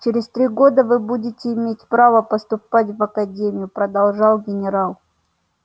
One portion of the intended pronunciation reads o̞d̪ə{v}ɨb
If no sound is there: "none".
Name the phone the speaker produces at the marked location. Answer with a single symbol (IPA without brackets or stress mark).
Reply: v